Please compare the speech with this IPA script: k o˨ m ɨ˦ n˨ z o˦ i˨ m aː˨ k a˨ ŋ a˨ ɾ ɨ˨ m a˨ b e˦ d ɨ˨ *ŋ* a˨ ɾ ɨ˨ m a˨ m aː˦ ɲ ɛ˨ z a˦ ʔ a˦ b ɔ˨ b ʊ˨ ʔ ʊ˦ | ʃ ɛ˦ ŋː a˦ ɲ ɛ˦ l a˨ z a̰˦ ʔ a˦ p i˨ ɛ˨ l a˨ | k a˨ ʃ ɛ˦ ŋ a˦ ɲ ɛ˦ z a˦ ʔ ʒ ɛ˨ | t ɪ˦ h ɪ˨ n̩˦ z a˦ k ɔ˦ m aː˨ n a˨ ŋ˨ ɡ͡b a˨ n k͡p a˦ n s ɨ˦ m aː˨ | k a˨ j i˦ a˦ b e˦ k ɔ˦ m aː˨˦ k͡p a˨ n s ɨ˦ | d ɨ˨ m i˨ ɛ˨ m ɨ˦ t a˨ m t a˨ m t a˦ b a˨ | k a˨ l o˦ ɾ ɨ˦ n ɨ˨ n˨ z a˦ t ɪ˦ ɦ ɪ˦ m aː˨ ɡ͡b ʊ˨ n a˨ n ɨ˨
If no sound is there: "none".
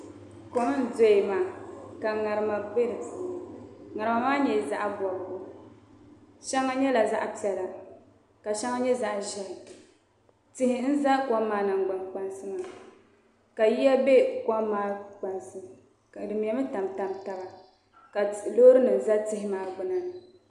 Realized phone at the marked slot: ŋ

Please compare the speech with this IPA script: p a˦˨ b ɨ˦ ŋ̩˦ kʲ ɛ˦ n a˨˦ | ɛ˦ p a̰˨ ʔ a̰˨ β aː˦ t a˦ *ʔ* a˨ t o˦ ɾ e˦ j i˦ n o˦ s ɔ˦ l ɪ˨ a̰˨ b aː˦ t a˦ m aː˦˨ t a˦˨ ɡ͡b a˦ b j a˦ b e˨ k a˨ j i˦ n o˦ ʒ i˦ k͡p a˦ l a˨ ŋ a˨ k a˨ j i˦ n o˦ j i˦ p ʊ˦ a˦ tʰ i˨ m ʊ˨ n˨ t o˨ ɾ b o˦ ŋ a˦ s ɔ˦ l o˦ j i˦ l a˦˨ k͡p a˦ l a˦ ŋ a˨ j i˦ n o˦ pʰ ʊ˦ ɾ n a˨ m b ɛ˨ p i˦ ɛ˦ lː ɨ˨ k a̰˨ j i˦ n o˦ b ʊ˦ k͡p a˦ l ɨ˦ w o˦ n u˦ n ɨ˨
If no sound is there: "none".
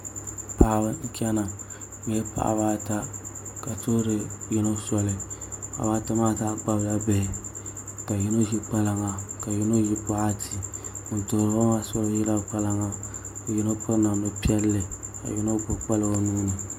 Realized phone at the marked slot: k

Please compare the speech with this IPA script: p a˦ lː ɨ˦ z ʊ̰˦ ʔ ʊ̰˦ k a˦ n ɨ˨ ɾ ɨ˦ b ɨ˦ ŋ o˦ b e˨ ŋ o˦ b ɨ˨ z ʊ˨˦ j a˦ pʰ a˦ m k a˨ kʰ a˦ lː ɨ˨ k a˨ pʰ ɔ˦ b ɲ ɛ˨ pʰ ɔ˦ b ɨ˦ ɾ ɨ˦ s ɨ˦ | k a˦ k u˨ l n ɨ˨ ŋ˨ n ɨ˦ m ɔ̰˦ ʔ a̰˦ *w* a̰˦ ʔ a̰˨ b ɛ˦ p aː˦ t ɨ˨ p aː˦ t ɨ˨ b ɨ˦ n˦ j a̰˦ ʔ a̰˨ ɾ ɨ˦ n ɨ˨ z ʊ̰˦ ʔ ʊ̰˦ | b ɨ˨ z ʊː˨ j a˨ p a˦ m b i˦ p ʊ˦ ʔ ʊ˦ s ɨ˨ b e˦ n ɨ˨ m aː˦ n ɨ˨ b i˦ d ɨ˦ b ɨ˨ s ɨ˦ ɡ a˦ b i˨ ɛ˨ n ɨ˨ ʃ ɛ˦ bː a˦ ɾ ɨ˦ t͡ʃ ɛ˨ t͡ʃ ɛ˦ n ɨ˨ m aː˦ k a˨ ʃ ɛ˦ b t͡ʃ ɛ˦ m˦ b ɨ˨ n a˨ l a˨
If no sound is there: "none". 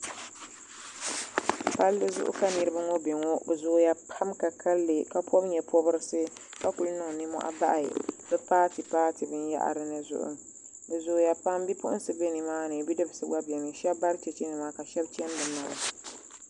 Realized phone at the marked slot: b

